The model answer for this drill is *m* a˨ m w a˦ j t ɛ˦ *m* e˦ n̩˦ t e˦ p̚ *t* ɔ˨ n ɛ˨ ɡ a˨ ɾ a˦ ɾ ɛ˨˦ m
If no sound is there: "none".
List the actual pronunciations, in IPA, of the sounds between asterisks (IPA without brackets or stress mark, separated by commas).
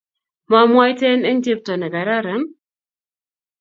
m, n, t